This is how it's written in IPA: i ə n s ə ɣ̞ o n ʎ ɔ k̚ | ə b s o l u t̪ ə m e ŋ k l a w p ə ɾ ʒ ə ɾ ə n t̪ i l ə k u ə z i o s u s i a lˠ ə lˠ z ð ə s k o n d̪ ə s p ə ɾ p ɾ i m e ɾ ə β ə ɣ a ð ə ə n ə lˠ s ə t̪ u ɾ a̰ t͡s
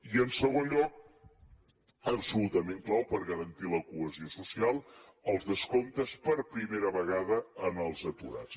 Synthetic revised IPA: i ə n s ə ɣ̞ o n ʎ ɔ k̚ | ə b s u l u t̪ ə m e ŋ k l a w p ə ɾ ɣ ə ɾ ə n t̪ i l ə k u ə z i o s u s i a lˠ ə lˠ z ð ə s k o n t̪ ə s p ə ɾ p ɾ i m e ɾ ə β ə ɣ a ð ə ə n ə lˠ z ə t̪ u ɾ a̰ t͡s